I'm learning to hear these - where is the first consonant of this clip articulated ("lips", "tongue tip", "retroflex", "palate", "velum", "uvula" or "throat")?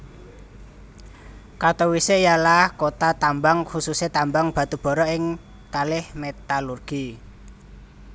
velum